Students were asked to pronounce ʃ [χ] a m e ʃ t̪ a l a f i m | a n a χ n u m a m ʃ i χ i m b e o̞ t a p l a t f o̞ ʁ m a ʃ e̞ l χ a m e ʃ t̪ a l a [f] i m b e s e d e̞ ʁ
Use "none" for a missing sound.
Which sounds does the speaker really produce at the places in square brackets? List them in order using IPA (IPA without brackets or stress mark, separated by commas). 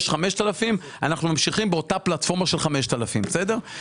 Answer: χ, f